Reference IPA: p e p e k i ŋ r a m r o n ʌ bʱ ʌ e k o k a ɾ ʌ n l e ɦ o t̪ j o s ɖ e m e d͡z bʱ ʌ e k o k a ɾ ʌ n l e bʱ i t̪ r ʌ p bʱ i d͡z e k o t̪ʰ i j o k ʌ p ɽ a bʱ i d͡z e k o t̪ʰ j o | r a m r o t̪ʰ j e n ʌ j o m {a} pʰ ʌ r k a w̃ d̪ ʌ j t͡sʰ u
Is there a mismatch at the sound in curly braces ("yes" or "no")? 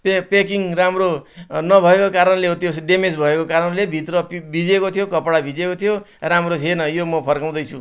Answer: yes